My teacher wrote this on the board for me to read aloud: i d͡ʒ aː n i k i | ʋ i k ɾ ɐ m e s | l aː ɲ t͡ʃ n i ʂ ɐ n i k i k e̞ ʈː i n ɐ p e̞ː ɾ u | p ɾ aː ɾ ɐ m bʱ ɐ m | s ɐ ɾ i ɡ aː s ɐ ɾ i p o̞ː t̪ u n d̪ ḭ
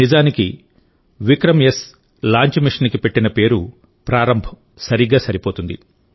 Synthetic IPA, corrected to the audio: i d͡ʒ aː n i k i | ʋ i k ɾ ɐ m e s | l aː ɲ t͡ʃ m i ʂ ɐ n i k i p e̞ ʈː i n ɐ p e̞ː ɾ u | p ɾ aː ɾ ɐ m bʱ ɐ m | s ɐ ɾ i ɡ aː s ɐ ɾ i p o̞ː t̪ u n d̪ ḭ